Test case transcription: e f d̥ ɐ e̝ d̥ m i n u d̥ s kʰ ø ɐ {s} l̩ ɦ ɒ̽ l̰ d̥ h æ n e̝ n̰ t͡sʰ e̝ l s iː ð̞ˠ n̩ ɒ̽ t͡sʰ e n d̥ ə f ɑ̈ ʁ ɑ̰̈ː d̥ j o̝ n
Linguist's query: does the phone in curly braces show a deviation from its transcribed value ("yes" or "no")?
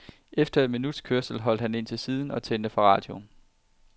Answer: no